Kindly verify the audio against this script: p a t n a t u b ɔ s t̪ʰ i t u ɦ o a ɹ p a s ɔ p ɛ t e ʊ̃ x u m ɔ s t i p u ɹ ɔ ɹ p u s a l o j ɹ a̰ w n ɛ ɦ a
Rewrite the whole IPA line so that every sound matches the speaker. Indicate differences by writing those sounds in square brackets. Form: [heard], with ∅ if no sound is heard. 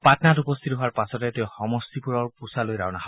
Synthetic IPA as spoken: p a t n a t u [p] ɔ s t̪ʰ i t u ɦ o a ɹ p a s ɔ [t] ɛ t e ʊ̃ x [ɔ] m ɔ s t i p u ɹ ɔ ɹ p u s a l o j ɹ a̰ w n [a] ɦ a